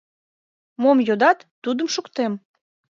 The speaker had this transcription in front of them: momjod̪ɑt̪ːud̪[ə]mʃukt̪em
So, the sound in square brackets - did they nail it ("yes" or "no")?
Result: yes